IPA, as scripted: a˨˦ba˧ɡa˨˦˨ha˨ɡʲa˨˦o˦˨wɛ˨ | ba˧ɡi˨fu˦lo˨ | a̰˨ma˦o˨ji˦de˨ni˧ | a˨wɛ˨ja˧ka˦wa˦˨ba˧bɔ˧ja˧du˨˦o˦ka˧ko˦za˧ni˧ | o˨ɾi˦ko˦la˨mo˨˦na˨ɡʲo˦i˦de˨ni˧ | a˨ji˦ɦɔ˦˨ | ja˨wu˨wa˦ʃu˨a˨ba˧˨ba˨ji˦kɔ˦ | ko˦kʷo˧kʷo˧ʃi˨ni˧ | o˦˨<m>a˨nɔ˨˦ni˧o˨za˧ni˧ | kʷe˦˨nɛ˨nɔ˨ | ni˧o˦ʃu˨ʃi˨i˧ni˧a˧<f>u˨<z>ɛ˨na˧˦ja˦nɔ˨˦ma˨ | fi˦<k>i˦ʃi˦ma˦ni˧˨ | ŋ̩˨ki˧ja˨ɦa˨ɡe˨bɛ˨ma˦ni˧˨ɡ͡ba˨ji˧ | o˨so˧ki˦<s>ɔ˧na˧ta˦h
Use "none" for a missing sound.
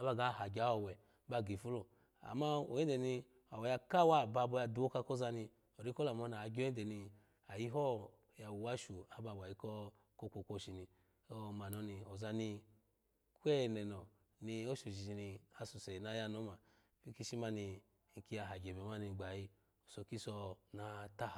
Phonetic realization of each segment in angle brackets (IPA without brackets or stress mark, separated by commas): m, s, s, k, s